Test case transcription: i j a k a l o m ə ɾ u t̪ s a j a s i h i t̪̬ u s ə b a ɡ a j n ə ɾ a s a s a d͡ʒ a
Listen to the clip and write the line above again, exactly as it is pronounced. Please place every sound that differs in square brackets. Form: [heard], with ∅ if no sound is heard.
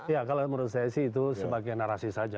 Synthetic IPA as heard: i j a k a l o m ə ɾ u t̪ s a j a s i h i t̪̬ u s ə b a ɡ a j n [a] ɾ a s [i] s a d͡ʒ a